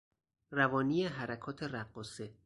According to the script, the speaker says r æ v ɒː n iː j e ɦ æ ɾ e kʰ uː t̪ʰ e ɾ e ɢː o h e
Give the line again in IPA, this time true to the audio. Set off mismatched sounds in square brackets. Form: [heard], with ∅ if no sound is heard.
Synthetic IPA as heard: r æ v ɒː n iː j e ɦ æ ɾ [æ] kʰ [ɒː] t̪ʰ e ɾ [æ] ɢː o [s] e